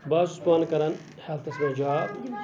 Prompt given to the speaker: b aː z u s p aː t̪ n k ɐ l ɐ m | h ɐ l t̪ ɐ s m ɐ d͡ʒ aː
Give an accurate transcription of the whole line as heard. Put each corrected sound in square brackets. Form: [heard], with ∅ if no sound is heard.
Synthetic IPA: b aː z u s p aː [∅] n k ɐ [ɾ] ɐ [n] | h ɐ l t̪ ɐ s m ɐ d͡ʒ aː